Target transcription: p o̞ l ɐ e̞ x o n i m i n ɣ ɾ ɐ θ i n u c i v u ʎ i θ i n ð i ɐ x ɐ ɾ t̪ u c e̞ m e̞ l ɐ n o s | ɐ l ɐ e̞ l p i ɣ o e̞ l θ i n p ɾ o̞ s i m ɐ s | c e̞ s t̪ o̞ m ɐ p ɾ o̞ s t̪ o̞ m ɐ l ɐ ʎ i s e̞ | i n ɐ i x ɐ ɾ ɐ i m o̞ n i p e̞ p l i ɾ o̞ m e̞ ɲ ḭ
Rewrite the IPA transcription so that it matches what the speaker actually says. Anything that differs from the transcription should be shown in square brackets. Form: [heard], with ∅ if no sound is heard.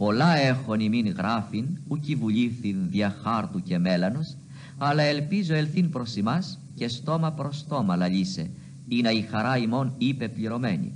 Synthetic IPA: p o̞ l ɐ e̞ x o n i m i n ɣ ɾ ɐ [f] i n u c i v u ʎ i θ i n ð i ɐ x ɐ ɾ t̪ u c e̞ m e̞ l ɐ n o s | ɐ l ɐ e̞ l p i [z] o e̞ l θ i n p ɾ o̞ s i m ɐ s | c e̞ s t̪ o̞ m ɐ p ɾ o̞ s t̪ o̞ m ɐ l ɐ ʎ i s e̞ | i n ɐ i x ɐ ɾ ɐ i m o̞ n i p e̞ p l i ɾ o̞ m e̞ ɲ ḭ